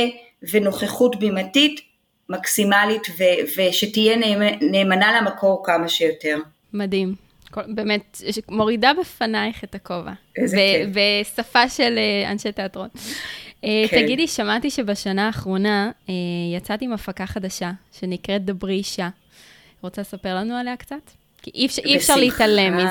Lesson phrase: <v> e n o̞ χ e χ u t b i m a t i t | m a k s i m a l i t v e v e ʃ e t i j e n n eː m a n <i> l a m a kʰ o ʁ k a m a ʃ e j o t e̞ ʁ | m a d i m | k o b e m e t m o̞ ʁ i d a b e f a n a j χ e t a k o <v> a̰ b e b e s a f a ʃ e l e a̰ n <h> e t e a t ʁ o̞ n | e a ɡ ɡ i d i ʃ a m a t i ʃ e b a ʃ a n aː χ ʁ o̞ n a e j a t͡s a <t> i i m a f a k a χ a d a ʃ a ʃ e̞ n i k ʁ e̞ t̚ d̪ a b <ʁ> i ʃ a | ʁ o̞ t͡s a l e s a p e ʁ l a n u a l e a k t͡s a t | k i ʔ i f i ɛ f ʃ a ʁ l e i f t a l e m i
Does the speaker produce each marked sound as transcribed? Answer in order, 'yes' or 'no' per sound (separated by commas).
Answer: yes, no, yes, no, yes, yes